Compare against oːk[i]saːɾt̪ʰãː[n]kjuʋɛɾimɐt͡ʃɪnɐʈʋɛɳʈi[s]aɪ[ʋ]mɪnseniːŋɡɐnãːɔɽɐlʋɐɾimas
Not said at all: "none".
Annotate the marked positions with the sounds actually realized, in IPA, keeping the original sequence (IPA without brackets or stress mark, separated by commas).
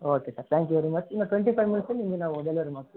e, ŋ, f, ʋ